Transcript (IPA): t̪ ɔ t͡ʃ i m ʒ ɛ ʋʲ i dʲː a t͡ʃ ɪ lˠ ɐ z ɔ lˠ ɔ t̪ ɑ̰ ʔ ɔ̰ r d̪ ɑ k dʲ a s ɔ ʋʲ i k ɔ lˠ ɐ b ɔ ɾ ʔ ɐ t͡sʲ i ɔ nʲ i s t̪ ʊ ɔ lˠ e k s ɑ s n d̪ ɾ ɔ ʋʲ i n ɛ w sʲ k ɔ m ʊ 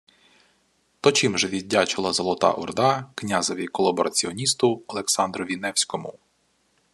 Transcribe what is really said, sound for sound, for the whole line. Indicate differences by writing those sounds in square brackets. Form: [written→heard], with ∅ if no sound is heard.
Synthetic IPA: t̪ ɔ t͡ʃ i m ʒ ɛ ʋʲ i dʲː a t͡ʃ ɪ lˠ ɐ z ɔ lˠ ɔ t̪ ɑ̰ ʔ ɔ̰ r d̪ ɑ k [dʲ→nʲ] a [s→z] ɔ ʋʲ i k ɔ lˠ ɐ b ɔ ɾ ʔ ɐ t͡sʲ i ɔ nʲ i s t̪ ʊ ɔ lˠ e k s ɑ [s→∅] n d̪ ɾ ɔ ʋʲ i n ɛ w sʲ k ɔ m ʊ